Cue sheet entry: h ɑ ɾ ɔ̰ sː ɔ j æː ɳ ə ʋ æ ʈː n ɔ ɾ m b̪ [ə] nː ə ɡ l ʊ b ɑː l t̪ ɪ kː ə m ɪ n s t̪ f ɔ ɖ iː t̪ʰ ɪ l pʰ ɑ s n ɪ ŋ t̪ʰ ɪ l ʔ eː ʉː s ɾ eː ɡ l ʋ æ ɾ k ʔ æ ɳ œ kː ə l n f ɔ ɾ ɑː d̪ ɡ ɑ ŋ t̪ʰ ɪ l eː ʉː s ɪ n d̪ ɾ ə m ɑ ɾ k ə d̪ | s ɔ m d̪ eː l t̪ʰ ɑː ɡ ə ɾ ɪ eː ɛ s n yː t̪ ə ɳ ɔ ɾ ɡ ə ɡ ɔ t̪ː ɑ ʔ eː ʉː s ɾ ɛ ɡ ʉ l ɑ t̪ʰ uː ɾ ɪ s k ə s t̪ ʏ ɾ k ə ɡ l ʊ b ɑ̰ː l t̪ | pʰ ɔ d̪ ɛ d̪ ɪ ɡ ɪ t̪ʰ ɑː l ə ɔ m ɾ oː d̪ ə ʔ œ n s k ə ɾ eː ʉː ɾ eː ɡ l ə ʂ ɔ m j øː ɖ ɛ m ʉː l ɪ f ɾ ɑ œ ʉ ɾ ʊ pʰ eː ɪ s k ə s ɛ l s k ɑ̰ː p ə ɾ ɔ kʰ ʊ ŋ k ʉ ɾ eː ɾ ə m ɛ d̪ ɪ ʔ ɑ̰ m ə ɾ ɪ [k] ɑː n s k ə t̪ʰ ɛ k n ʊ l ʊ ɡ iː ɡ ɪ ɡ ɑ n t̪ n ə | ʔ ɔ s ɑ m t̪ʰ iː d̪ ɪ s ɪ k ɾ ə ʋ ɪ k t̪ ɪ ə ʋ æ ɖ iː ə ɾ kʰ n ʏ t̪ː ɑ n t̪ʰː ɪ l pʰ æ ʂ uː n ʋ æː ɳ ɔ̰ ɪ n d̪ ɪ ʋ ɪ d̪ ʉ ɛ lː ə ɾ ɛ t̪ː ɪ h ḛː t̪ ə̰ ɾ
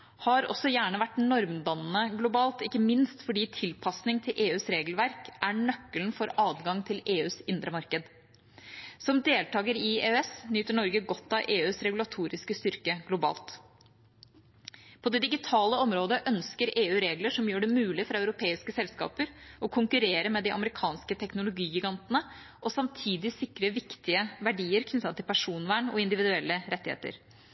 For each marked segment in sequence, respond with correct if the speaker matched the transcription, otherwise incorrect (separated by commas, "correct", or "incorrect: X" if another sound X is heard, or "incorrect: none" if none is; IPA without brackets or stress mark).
incorrect: ɑ, incorrect: kʰ